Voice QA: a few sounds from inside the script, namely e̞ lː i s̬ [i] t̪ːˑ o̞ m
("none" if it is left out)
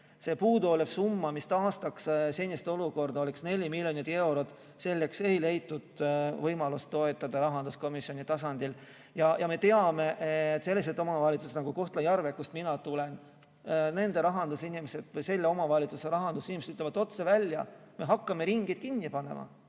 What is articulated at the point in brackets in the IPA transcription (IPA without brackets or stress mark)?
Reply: e